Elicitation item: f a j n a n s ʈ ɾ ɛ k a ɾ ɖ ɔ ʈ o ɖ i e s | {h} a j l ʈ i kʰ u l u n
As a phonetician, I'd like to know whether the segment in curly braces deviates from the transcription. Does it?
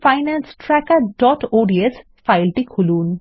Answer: yes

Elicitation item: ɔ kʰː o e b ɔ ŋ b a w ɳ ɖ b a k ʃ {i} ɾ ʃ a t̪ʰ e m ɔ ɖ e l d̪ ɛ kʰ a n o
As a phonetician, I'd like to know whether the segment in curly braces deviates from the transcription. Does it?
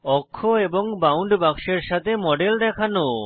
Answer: yes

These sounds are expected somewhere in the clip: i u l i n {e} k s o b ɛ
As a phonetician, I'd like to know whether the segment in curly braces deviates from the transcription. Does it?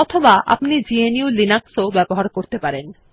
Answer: yes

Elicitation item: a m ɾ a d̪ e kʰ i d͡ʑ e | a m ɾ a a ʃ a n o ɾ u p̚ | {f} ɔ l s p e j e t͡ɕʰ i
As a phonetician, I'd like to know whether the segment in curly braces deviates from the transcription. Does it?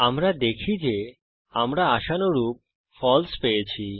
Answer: no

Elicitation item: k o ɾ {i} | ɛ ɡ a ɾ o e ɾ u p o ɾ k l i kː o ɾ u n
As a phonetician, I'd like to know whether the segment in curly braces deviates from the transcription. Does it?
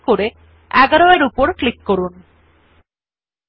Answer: yes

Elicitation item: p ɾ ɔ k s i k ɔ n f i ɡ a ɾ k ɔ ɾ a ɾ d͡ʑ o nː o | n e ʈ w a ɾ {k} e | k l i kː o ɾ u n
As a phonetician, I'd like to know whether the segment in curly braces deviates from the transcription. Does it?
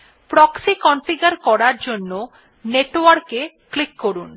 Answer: no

